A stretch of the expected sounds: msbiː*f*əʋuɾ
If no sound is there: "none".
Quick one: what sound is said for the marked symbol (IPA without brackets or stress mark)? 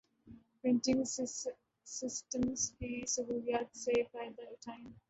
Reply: s